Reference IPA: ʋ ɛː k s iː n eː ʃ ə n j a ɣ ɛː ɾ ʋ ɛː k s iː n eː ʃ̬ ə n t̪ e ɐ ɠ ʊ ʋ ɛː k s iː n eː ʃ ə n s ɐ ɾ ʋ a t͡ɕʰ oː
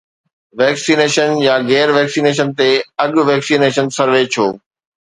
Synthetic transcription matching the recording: ʋ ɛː k s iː n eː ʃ ə n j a ɣ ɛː ɾ ʋ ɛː k s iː n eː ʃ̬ ə n t̪ e ɐ ɠ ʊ ʋ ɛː k s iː n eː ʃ ə n s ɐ ɾ ʋ e t͡ɕʰ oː